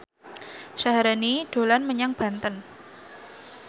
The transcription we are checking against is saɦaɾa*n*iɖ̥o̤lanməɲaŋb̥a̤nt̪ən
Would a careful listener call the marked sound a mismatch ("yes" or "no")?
no